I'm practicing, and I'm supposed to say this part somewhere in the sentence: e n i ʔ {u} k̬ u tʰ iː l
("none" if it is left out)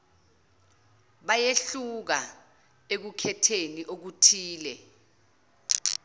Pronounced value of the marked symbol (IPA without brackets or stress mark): o